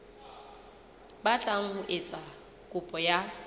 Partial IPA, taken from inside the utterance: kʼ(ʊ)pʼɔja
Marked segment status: correct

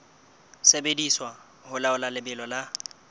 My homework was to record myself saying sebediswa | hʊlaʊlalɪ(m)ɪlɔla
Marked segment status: incorrect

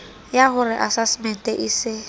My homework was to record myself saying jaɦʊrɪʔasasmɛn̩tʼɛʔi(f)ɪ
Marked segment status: incorrect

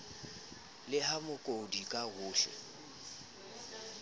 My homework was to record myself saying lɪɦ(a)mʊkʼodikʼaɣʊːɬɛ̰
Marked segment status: correct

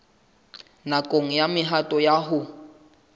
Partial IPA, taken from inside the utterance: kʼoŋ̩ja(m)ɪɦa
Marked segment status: correct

